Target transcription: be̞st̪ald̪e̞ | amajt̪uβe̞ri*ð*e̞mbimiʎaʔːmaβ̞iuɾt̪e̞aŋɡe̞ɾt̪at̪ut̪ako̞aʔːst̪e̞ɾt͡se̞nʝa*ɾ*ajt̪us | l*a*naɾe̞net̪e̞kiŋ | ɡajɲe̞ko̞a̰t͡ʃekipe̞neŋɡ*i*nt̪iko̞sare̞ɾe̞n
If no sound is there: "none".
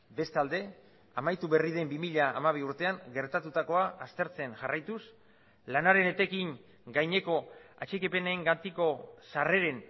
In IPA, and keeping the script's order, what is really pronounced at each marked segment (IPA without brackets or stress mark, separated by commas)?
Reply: ð, r, a, a